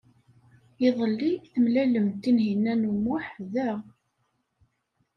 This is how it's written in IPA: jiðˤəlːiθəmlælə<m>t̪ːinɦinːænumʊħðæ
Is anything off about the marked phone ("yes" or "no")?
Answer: no